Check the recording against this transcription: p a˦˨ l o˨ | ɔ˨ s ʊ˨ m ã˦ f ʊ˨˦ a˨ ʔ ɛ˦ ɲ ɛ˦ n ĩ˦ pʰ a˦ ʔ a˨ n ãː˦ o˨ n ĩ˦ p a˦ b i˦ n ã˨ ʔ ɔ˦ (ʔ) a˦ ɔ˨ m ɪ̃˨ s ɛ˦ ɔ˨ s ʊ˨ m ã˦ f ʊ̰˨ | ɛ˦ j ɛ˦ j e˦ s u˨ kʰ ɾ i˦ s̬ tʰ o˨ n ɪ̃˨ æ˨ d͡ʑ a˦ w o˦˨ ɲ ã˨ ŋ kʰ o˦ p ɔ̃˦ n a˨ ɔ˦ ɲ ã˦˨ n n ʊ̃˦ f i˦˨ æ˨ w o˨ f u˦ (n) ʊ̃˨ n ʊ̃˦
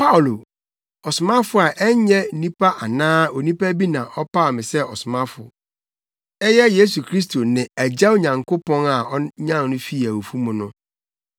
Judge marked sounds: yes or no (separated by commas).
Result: no, no